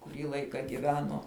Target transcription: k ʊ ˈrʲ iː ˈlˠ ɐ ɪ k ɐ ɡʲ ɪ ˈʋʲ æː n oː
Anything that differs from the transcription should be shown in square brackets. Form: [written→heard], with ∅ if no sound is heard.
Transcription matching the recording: k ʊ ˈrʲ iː ˈlˠ ɐ ɪ k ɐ ɡʲ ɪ ˈʋʲ æː n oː